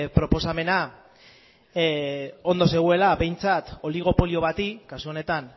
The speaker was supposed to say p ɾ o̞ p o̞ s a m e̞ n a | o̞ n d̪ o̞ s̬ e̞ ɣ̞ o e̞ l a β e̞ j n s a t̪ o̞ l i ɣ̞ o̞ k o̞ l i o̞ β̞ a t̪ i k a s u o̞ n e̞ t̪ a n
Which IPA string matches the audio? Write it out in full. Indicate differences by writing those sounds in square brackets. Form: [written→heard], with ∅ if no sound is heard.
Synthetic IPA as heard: p ɾ o̞ p o̞ s a m e̞ n a | o̞ n d̪ o̞ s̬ e̞ ɣ̞ [o→u] e̞ l a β e̞ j n [s→t͡s] a t̪ o̞ l i ɣ̞ o̞ [k→p] o̞ l i o̞ β̞ a t̪ i k a s u o̞ n e̞ t̪ a n